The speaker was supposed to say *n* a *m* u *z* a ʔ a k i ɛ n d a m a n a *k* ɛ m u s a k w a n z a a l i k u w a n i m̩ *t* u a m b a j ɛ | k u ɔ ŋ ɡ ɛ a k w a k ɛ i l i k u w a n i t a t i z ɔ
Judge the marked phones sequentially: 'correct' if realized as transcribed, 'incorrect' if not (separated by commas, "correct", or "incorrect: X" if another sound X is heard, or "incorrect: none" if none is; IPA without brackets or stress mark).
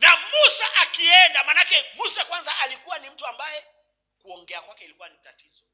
correct, correct, incorrect: s, correct, correct